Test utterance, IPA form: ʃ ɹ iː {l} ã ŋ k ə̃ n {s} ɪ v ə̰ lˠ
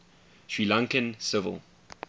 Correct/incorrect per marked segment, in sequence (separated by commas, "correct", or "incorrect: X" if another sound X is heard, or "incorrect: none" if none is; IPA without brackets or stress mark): correct, correct